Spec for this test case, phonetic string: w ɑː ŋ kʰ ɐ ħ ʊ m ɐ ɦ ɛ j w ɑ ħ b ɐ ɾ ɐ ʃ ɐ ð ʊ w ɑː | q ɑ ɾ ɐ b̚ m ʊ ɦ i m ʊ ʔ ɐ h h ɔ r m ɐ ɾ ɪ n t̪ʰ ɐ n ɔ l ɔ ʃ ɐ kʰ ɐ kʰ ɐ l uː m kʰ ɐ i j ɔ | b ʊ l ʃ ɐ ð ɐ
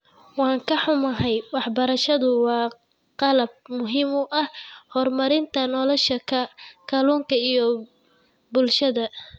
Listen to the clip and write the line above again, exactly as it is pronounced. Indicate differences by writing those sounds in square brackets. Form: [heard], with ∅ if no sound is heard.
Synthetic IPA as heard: w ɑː ŋ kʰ ɐ ħ ʊ m ɐ ɦ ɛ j w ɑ ħ b ɐ ɾ ɐ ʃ ɐ ð ʊ w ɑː | q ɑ [l] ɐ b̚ m ʊ ɦ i m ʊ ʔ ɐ h h ɔ r m ɐ ɾ ɪ n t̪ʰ ɐ n ɔ l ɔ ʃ ɐ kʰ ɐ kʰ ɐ l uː [ŋ] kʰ ɐ i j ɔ | b ʊ l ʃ ɐ ð ɐ